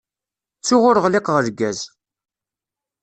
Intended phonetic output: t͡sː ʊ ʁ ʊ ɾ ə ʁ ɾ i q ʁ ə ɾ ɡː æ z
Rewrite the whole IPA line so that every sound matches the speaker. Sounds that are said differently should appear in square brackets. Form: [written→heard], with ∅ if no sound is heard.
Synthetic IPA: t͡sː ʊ ʁ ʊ ɾ ə ʁ [ɾ→l] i q ʁ ə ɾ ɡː æ z